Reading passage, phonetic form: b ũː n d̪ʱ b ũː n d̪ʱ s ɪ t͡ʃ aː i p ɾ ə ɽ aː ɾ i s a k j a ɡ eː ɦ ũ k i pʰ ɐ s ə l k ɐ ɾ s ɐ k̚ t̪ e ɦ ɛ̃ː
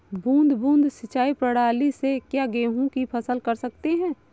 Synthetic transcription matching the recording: b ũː n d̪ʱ b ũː n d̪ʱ s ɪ t͡ʃ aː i p ɾ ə ɽ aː l i s e k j a ɡ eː ɦ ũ k i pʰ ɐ s ə l k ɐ ɾ s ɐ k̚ t̪ e ɦ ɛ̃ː